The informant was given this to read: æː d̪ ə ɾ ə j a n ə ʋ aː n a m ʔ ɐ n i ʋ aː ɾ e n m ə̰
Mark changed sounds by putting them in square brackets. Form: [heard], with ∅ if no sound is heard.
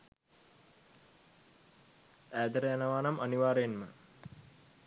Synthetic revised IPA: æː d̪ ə ɾ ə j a n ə ʋ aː n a m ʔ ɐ n i ʋ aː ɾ e n m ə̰